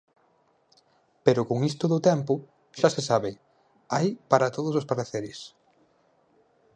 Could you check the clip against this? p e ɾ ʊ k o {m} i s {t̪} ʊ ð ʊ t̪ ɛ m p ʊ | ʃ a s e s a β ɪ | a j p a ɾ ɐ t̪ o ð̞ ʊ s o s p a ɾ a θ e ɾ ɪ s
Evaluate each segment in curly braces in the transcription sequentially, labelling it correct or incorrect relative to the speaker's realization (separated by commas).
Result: incorrect, correct